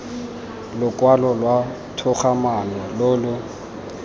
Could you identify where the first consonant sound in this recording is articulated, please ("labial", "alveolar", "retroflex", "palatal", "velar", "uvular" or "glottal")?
alveolar